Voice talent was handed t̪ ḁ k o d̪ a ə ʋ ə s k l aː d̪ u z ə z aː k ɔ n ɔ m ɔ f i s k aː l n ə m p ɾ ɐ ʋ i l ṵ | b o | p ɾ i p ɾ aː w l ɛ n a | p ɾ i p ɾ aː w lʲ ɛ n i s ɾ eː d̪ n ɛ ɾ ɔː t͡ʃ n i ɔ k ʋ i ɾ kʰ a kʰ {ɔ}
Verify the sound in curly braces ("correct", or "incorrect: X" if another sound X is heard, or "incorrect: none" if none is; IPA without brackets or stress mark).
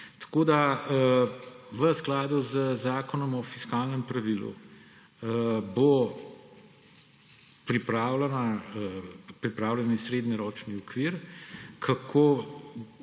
incorrect: o